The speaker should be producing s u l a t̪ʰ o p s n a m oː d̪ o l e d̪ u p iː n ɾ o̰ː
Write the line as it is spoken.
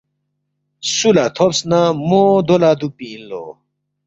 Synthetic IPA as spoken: s u l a t̪ʰ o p s n a m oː d̪ o l a d̪ u p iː n l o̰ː